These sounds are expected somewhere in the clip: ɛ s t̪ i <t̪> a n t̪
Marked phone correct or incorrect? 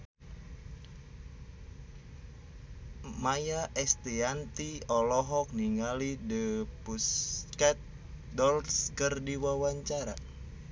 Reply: incorrect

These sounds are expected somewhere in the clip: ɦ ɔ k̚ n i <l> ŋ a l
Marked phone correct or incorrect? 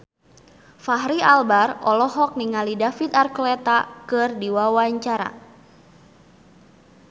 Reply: incorrect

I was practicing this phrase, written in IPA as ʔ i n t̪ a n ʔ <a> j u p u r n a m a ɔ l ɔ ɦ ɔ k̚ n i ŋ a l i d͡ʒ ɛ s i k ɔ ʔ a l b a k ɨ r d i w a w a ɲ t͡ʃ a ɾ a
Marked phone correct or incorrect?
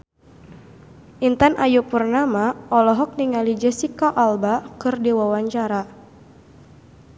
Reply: correct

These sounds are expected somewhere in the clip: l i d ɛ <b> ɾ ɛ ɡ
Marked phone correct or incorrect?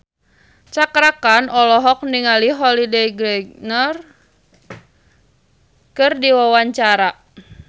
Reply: incorrect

